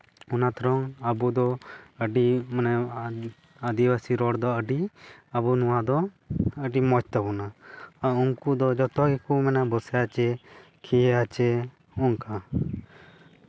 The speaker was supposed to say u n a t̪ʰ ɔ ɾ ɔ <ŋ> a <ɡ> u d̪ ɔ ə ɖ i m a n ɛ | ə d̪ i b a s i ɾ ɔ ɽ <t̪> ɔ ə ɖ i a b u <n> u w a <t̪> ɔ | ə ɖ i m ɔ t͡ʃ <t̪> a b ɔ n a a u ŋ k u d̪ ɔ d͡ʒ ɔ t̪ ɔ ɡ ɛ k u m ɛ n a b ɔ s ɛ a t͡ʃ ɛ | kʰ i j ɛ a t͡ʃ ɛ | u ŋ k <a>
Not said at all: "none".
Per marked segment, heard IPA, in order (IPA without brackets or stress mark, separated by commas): ŋ, b, d̪, n, d̪, t̪, a